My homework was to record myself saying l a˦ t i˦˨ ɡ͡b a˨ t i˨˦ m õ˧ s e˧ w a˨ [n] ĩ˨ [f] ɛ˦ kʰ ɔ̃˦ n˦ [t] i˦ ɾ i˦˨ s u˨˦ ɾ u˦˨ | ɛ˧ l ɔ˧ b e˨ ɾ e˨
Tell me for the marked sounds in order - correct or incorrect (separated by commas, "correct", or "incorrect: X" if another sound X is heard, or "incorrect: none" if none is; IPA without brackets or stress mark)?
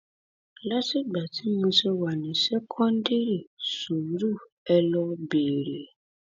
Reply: correct, incorrect: s, incorrect: d